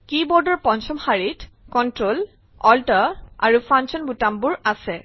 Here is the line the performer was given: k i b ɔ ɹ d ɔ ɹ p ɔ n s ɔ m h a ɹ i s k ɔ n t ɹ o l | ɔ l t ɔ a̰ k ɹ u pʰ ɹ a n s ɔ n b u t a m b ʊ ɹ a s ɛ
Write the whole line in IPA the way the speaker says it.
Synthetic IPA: k i b ɔ ɹ d ɔ ɹ p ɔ n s ɔ m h a ɹ i t k ɔ n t ɹ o l | ɔ l t ɔ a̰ ɹ u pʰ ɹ a n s ɔ n b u t a m b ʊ ɹ a s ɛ